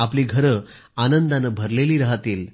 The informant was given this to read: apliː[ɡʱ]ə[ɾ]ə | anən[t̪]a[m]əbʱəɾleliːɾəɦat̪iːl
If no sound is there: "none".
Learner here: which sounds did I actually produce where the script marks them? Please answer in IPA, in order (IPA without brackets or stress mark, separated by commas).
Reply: ɡʱ, ɾ, d̪, n